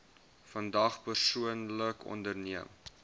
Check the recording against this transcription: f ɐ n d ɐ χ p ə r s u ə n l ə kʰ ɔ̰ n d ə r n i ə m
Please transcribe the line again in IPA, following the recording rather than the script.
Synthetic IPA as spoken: f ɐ n d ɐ χ p ə r s u ə n l ə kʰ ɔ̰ n d ə r n i ə m